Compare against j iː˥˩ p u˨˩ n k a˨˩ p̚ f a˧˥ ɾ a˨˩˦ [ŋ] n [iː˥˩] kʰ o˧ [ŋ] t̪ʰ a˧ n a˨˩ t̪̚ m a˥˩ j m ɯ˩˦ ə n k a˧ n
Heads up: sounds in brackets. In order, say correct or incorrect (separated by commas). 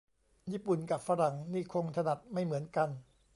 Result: correct, correct, correct